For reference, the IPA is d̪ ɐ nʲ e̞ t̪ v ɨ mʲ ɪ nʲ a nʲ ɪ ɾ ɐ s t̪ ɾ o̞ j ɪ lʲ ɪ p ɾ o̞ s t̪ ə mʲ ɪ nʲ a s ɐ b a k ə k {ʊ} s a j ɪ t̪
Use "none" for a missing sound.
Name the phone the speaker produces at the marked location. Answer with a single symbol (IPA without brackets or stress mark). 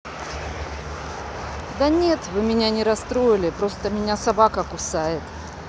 ʊ